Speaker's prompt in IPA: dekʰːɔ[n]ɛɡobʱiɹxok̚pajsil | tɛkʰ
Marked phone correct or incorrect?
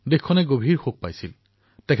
correct